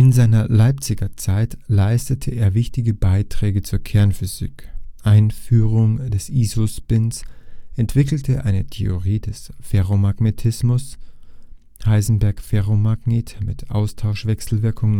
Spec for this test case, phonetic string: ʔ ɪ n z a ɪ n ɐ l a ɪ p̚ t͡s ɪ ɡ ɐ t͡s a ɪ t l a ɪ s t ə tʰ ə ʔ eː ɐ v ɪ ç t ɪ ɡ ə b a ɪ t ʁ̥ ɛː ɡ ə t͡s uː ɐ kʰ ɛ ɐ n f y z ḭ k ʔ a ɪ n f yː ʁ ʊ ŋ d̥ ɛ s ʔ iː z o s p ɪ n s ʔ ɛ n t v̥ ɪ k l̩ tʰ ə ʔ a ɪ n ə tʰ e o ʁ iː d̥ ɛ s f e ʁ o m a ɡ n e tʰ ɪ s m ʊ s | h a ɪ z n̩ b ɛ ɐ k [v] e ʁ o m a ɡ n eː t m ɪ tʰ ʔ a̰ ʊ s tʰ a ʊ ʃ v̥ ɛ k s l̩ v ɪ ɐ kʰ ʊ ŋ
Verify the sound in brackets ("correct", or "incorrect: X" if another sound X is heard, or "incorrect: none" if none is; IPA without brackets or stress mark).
incorrect: f